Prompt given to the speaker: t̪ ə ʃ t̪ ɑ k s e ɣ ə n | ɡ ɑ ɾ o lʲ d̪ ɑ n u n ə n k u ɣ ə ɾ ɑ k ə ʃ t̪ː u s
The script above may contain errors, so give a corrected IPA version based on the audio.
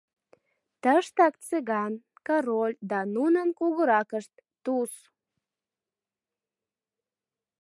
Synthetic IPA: t̪ ə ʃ t̪ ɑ k t͡s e ɣ ɑ n | k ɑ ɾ o lʲ d̪ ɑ n u n ə n k u ɣ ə ɾ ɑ k ə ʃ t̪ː u s